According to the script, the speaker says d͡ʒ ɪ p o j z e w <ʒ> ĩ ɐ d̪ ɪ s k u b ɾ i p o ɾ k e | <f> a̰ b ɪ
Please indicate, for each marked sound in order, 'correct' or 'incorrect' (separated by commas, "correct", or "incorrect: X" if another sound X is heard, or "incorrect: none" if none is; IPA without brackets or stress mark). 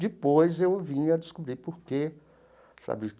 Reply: incorrect: v, incorrect: s